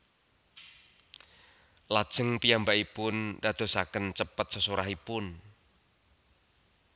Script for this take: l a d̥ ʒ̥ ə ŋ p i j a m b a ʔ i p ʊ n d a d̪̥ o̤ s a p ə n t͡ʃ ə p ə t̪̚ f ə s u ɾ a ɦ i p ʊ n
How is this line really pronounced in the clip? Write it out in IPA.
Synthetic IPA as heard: l a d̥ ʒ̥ ə ŋ p i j a m b a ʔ i p ʊ n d a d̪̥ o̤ s a k ə n t͡ʃ ə p ə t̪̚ s ə s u ɾ a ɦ i p ʊ n